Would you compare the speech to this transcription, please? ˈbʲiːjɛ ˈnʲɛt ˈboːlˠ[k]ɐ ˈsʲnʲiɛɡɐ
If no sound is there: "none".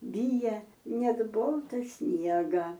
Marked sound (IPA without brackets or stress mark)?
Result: t